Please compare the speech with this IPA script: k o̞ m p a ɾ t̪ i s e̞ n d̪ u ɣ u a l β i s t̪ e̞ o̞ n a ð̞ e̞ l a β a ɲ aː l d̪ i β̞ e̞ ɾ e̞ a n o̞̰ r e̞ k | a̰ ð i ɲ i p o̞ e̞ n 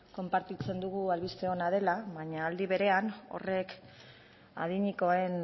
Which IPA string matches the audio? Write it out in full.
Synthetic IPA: k o̞ m p a ɾ t̪ i t͡s e̞ n d̪ u ɣ u a l β i s t̪ e̞ o̞ n a ð̞ e̞ l a β a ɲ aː l d̪ i β̞ e̞ ɾ e̞ a n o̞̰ r e̞ k | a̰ ð i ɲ i k o̞ e̞ n